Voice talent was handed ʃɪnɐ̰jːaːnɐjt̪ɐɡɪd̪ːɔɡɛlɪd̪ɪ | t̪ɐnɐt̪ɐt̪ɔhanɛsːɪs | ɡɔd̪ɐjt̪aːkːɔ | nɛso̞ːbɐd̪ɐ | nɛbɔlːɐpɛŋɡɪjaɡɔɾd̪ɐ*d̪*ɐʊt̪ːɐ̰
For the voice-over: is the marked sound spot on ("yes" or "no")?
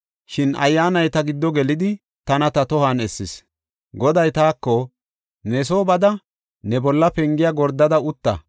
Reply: yes